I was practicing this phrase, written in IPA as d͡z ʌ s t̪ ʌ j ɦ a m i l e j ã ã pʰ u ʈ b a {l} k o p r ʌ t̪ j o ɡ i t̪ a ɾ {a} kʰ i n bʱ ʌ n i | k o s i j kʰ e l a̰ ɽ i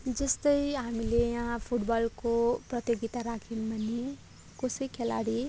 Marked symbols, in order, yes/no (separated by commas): yes, yes